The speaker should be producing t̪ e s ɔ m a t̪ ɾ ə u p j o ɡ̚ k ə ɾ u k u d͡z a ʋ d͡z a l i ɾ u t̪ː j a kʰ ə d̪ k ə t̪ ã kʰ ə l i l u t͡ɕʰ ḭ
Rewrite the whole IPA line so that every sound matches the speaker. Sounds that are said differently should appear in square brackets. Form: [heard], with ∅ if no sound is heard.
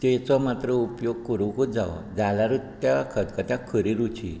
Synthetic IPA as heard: t̪ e [t͡s] ɔ m a t̪ ɾ ə u p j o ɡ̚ k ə ɾ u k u d͡z a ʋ d͡z a l [a] ɾ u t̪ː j a kʰ ə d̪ k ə t̪ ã kʰ ə [ɾ] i [ɾ] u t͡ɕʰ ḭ